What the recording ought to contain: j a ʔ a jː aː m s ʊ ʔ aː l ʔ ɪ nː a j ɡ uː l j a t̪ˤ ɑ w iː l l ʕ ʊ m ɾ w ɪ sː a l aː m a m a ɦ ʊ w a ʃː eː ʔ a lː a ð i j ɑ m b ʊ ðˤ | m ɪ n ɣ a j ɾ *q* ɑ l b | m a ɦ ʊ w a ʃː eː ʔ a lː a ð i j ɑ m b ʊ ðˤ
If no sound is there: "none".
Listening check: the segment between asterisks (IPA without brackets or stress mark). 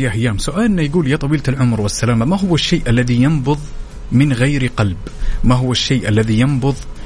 q